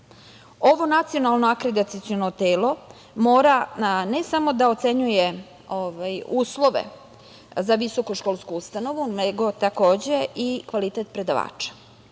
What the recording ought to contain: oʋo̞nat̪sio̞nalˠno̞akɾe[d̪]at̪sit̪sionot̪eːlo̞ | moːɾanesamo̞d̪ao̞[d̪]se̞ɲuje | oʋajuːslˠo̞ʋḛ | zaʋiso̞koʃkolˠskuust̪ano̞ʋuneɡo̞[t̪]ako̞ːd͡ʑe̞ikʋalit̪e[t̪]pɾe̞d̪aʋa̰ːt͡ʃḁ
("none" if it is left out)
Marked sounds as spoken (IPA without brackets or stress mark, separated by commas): d̪, t̪, t̪, t̪